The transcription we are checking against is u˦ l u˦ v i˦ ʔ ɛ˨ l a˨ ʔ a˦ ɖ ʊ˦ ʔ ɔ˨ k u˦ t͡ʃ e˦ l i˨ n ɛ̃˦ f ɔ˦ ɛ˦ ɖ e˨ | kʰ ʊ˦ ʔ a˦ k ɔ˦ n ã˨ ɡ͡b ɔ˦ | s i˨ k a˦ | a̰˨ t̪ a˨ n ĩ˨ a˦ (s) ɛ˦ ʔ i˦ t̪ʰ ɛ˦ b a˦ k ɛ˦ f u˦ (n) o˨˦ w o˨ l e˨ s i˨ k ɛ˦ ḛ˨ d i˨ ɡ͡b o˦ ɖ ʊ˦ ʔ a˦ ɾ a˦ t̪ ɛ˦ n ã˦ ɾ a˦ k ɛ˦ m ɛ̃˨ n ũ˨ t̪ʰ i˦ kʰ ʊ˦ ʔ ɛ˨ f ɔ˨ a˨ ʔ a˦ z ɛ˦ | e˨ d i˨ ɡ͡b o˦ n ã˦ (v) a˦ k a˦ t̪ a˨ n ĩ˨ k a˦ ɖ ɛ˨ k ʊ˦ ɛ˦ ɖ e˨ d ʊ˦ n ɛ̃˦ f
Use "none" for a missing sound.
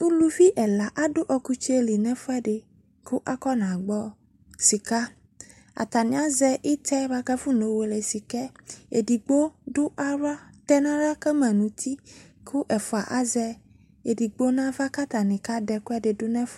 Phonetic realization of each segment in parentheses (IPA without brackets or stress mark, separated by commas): z, n, v